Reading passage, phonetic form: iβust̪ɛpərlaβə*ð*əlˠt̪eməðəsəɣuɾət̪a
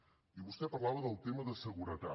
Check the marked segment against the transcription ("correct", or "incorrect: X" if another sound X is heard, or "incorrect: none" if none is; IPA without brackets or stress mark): correct